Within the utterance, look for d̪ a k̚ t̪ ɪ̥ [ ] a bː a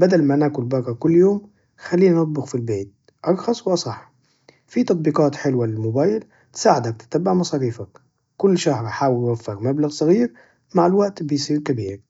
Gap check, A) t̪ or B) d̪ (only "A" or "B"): A